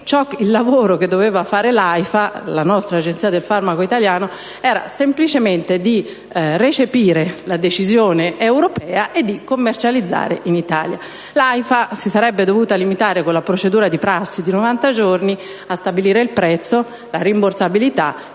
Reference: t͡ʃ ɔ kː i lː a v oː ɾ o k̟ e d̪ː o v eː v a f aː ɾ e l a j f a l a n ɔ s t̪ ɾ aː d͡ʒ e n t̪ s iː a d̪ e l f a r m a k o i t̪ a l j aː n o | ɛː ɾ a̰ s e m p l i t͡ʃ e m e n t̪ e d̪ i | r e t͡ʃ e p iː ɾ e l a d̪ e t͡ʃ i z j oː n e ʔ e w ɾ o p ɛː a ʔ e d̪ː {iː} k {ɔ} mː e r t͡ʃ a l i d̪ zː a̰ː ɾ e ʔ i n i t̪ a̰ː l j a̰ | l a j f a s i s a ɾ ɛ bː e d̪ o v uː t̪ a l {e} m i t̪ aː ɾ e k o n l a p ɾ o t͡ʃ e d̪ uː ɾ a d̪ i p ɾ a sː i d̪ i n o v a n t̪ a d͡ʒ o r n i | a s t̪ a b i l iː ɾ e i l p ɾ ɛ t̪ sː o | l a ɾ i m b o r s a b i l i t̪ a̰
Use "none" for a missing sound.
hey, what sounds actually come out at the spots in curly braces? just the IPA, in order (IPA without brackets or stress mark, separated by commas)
i, o, i